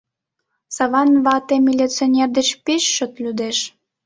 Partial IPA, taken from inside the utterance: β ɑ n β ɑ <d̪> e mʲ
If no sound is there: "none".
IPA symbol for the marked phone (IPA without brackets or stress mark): t̪